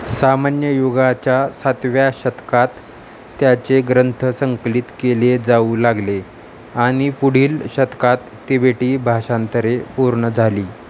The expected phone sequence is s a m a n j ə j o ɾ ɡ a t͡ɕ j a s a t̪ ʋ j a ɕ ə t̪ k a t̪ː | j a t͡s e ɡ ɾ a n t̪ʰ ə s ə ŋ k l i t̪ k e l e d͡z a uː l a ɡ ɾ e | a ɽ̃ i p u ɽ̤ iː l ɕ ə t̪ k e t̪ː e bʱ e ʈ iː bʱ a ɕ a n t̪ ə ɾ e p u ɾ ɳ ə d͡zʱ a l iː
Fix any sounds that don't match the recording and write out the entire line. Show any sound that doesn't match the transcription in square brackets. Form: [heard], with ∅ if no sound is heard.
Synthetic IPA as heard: s a m a n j ə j o [∅] ɡ a t͡ɕ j a s a t̪ ʋ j a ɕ ə t̪ k a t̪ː | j a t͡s e ɡ ɾ [ə] n t̪ʰ ə s ə ŋ k l i t̪ k e l e d͡z a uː l a ɡ [l] e | a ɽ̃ i p u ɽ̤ iː l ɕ ə t̪ k [a] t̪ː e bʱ e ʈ iː bʱ a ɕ a n t̪ ə ɾ e p u ɾ ɳ ə d͡zʱ a l iː

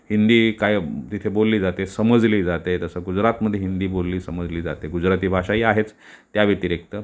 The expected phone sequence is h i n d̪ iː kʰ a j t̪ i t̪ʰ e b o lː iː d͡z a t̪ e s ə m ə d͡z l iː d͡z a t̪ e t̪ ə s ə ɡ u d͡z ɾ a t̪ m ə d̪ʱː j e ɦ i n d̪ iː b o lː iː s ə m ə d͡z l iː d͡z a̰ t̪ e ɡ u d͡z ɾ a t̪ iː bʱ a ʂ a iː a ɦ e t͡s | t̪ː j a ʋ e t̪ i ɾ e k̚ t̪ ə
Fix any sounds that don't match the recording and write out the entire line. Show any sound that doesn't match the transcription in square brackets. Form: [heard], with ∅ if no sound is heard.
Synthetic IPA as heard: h i n d̪ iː [k] a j t̪ i t̪ʰ e b o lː iː d͡z a t̪ e s ə m ə d͡z l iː d͡z a t̪ e t̪ ə s ə ɡ u d͡z ɾ a t̪ m ə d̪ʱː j e ɦ i n d̪ iː b o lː iː s ə m ə d͡z l iː d͡z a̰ t̪ e ɡ u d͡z ɾ a t̪ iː bʱ a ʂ a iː a ɦ e t͡s | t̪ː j a ʋ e t̪ i ɾ e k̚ t̪ ə

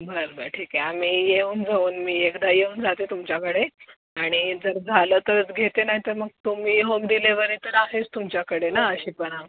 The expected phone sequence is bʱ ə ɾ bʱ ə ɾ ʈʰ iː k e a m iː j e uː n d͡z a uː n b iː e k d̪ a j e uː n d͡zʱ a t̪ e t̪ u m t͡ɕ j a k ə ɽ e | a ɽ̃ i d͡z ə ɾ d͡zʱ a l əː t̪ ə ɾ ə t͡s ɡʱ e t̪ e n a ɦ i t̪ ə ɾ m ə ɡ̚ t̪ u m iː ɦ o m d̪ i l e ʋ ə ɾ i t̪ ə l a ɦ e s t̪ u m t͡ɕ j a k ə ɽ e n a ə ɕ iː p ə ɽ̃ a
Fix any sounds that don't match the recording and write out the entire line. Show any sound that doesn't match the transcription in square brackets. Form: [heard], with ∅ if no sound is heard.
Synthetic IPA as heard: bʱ ə ɾ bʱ ə ɾ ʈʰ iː k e a m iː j e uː n d͡z a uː n [m] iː e k d̪ a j e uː n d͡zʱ a t̪ e t̪ u m t͡ɕ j a k ə ɽ e | a ɽ̃ i d͡z ə ɾ d͡zʱ a l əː t̪ ə ɾ ə t͡s ɡʱ e t̪ e n a ɦ i t̪ ə ɾ m ə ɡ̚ t̪ u m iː ɦ o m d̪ i l e ʋ ə ɾ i t̪ ə [ɾ] a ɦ e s t̪ u m t͡ɕ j a k ə ɽ e n a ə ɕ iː p ə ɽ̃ a

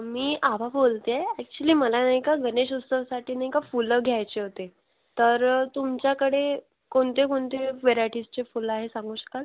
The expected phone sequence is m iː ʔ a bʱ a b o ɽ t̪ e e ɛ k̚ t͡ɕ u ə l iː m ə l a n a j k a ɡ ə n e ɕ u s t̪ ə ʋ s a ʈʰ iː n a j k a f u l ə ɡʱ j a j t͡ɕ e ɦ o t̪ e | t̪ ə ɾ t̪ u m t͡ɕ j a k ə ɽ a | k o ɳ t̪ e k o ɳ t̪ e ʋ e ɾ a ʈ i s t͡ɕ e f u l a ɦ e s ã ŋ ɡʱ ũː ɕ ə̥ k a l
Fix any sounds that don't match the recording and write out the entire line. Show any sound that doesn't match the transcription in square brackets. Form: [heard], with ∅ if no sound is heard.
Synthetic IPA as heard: m iː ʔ a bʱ a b o [l] t̪ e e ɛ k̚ t͡ɕ u ə l iː m ə l a n a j k a ɡ ə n e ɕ u s t̪ ə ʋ s a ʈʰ iː n a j k a f u l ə ɡʱ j a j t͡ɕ e ɦ o t̪ e | t̪ ə ɾ t̪ u m t͡ɕ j a k ə ɽ [e] | k o ɳ t̪ e k o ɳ t̪ e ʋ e ɾ a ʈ i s t͡ɕ e f u l a ɦ e s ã ŋ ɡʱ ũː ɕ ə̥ k a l

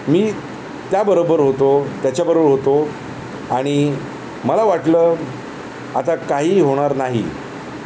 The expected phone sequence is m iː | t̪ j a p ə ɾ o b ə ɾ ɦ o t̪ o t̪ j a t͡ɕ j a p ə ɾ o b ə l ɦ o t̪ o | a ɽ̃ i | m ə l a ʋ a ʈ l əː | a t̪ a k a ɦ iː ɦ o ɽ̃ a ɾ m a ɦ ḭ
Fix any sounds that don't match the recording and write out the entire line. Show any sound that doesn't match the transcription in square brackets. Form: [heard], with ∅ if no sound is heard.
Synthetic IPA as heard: m iː | t̪ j a [b] ə ɾ o b ə ɾ ɦ o t̪ o t̪ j a t͡ɕ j a [b] ə ɾ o b ə [ɾ] ɦ o t̪ o | a ɽ̃ i | m ə l a ʋ a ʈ l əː | a t̪ a k a ɦ iː ɦ o ɽ̃ a ɾ [n] a ɦ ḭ

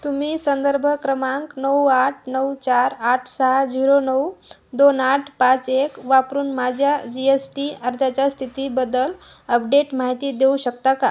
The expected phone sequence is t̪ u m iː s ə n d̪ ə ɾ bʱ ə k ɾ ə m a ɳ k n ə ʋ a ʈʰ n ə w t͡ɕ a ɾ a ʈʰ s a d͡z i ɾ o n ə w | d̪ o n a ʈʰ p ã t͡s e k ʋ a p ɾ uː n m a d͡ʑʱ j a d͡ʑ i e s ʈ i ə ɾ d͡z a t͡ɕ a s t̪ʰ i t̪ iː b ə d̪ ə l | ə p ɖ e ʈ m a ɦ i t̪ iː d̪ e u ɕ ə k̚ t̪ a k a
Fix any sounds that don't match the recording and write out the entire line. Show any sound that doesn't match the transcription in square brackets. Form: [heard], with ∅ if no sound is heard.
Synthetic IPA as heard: t̪ u m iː s ə n d̪ ə ɾ bʱ ə k ɾ ə m a [ŋ] k n ə [w] a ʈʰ n ə w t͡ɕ a ɾ a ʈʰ s a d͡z i ɾ o n ə w | d̪ o n a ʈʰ p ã t͡s e k ʋ a p ɾ uː n m a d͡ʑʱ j a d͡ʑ i e s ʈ i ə ɾ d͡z a t͡ɕ a s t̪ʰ i t̪ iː b ə d̪ ə l | ə p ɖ e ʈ m a ɦ i t̪ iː d̪ e u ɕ ə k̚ t̪ a k a

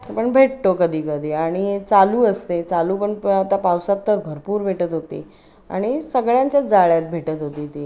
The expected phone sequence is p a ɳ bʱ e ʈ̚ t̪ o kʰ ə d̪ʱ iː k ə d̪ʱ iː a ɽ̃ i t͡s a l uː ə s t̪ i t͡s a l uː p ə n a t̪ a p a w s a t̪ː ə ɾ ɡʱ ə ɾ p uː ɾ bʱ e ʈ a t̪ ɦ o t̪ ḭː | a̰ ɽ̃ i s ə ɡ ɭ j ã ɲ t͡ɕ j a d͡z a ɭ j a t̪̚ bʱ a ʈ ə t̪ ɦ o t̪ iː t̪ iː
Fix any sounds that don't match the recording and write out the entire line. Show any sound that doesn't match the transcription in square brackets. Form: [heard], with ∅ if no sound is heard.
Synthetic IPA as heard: p [ə] ɳ bʱ e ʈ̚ t̪ o [k] ə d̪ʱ iː k ə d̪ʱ iː a ɽ̃ i t͡s a l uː ə s t̪ [e] t͡s a l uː p ə [ɳ] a t̪ a p a w s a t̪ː ə ɾ [bʱ] ə ɾ p uː ɾ bʱ e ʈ [ə] t̪ ɦ o t̪ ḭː | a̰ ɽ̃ i s ə ɡ ɭ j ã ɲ t͡ɕ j a d͡z a ɭ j a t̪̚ bʱ [e] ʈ ə t̪ ɦ o t̪ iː t̪ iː

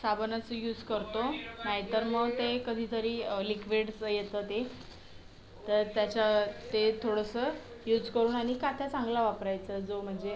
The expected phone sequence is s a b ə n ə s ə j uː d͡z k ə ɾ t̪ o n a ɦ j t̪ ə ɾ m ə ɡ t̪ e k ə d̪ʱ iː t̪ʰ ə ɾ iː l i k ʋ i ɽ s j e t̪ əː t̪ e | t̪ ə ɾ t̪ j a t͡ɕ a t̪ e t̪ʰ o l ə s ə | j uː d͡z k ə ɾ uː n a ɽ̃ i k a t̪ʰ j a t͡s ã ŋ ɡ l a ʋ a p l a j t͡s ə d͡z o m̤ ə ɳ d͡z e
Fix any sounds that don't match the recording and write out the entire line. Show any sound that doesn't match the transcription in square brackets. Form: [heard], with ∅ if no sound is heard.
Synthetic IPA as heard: s a b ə n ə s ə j uː d͡z k ə ɾ t̪ o n a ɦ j t̪ ə ɾ m ə ɡ t̪ e k ə d̪ʱ iː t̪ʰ ə ɾ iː l i k ʋ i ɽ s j e t̪ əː t̪ e | t̪ ə ɾ t̪ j a t͡ɕ a t̪ e t̪ʰ o [ɽ] ə s ə | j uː d͡z k ə ɾ uː n a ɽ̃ i k a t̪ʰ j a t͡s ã ŋ ɡ l a ʋ a p [ɾ] a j t͡s ə d͡z o m̤ ə ɳ d͡z e

